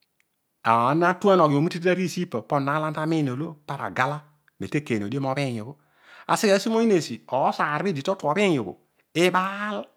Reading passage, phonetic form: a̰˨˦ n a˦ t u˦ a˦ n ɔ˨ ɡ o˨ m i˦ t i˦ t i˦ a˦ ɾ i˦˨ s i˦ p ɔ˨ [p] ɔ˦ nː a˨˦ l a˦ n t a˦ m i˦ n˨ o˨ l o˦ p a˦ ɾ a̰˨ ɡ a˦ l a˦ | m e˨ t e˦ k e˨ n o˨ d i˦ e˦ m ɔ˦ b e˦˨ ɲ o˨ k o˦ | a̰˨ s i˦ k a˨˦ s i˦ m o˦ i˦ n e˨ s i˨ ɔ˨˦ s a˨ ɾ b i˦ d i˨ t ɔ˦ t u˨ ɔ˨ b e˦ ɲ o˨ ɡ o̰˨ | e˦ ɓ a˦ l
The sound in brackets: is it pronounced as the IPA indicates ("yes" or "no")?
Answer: yes